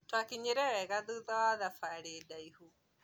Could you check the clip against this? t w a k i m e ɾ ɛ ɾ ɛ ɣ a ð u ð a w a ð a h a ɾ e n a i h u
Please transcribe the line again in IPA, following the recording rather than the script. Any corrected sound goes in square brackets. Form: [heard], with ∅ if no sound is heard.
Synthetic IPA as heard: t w a k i [ɲ] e ɾ ɛ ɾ ɛ ɣ a ð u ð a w a ð a [f] a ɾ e [d] a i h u